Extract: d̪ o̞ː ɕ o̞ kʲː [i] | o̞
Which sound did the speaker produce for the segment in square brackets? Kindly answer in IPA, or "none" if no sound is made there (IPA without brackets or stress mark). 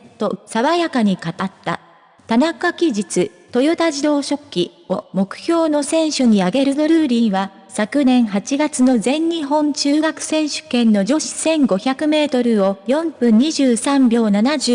i